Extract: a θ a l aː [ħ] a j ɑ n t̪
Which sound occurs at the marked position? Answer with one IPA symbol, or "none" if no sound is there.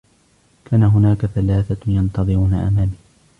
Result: θ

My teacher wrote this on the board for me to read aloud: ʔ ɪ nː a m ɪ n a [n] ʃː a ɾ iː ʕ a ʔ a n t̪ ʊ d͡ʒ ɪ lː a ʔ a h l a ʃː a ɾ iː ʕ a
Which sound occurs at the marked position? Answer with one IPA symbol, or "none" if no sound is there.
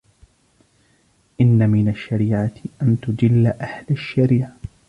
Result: none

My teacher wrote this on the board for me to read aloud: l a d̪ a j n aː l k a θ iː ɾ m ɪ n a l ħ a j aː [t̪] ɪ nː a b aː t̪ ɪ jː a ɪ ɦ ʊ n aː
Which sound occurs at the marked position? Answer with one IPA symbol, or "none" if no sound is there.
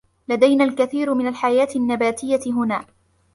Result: t̪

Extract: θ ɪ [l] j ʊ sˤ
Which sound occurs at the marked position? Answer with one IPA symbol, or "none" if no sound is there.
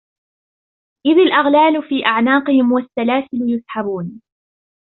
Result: l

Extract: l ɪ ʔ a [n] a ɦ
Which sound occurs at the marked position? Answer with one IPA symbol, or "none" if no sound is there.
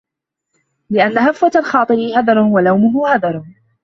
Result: nː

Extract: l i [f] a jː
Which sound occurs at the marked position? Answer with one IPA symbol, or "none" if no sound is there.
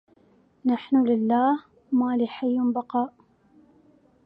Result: ħ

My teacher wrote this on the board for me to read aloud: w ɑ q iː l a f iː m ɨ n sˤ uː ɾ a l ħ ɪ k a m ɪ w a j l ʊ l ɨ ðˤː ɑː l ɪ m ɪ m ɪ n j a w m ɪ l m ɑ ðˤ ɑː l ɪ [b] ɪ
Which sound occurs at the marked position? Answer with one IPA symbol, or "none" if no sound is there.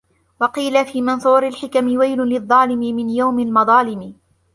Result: m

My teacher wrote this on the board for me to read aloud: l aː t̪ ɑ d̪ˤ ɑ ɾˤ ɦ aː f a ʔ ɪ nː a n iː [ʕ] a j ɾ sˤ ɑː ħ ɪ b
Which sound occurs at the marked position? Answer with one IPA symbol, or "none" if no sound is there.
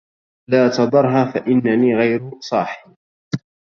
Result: ɣ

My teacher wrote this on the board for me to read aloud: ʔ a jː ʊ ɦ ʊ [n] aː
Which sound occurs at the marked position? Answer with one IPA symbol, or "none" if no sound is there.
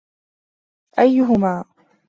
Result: m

